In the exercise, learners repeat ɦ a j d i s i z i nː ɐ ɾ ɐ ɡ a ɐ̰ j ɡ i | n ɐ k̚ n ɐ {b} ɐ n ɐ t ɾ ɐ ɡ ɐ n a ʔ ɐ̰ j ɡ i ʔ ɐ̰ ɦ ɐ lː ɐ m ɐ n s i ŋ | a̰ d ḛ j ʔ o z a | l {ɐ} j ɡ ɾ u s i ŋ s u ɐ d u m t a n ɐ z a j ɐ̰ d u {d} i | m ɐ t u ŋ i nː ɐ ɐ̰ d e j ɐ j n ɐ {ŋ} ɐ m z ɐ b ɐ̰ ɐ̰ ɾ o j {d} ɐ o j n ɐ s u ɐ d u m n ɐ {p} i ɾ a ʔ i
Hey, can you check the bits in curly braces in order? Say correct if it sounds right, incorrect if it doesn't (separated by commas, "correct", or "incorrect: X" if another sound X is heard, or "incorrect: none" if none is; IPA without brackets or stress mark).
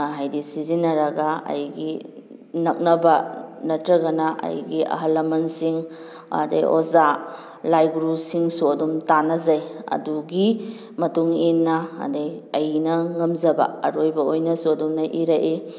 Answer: correct, incorrect: a, incorrect: ɡ, correct, incorrect: b, incorrect: ʔ